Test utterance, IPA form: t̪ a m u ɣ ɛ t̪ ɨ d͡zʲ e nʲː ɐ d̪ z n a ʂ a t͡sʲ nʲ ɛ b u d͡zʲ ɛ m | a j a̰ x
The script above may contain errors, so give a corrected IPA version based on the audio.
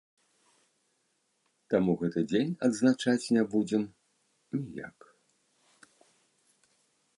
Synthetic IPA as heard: t̪ a m u ɣ ɛ t̪ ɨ d͡zʲ e nʲ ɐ d̪ z n a t͡ʂ a t͡sʲ nʲ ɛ b u d͡zʲ ɛ m | i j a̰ k